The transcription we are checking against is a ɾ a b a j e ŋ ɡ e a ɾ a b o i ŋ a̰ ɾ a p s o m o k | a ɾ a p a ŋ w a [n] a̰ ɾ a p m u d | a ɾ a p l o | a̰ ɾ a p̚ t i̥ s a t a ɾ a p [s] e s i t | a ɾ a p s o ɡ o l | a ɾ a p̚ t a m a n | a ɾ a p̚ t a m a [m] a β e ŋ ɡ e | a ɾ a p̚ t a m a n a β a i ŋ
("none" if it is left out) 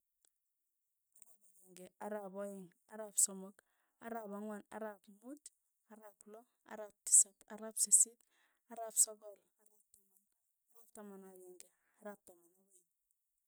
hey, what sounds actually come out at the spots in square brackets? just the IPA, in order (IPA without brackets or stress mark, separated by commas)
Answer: n, s, n